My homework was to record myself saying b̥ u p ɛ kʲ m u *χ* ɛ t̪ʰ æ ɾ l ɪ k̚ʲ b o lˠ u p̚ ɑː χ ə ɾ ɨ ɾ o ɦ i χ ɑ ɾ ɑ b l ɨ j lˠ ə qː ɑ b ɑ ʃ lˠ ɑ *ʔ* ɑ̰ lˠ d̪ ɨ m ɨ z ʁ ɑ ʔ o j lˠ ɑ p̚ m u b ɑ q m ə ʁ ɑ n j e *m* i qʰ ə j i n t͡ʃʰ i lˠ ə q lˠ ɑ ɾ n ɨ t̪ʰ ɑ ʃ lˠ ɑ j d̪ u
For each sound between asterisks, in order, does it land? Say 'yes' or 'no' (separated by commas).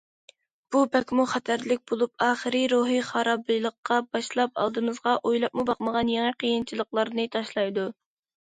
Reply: yes, no, no